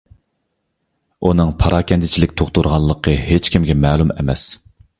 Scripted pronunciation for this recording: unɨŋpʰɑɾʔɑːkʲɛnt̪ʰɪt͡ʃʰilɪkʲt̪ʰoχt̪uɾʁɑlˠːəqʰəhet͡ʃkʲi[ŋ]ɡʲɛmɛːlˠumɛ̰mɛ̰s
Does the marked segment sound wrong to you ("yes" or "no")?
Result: yes